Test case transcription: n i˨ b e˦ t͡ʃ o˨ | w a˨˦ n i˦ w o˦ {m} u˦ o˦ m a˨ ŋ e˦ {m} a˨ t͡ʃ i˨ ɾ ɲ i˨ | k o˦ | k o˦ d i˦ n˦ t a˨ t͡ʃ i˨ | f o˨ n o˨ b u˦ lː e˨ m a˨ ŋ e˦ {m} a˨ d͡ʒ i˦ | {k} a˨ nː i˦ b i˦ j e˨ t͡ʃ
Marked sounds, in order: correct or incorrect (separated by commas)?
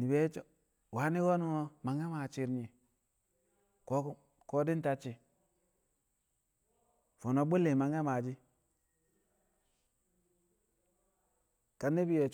incorrect, correct, correct, correct